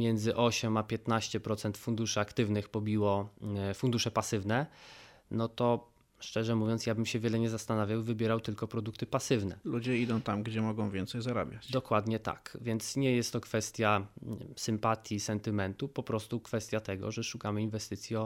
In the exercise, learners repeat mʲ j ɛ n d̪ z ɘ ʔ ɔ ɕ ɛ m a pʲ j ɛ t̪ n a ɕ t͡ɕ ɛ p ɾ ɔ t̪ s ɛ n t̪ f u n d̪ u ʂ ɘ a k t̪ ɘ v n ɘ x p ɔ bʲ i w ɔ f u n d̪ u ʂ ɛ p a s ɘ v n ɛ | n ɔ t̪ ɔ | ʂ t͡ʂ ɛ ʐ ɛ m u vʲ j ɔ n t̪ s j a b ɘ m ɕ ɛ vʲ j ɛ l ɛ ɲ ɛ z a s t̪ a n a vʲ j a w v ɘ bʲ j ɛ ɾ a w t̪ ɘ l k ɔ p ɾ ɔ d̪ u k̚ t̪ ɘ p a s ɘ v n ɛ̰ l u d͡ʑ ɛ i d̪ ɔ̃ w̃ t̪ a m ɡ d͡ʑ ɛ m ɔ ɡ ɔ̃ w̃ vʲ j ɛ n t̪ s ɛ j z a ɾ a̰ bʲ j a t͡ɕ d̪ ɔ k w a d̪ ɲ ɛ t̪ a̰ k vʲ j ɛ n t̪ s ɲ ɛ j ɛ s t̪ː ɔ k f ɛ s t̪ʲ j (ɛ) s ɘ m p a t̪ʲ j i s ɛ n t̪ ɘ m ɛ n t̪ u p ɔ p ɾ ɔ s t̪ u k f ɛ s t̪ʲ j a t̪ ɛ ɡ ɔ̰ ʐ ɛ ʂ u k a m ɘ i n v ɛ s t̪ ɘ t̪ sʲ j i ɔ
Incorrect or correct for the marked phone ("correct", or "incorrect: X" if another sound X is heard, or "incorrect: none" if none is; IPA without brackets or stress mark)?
incorrect: a